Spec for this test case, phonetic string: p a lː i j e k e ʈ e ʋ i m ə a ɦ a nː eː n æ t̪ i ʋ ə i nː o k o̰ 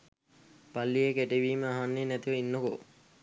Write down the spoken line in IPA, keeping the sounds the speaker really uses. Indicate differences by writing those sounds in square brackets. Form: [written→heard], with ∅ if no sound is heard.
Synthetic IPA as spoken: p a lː i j e k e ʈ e ʋ [i→iː] m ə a ɦ a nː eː n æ t̪ i ʋ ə i nː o k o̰